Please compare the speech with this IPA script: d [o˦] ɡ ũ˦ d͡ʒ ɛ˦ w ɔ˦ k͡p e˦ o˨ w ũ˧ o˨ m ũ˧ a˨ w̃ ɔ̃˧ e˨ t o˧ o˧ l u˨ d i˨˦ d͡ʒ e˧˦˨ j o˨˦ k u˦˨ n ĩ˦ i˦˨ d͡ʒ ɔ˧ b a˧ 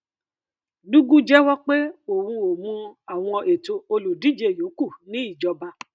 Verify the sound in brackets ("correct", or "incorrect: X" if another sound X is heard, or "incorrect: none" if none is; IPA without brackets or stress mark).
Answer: incorrect: u˦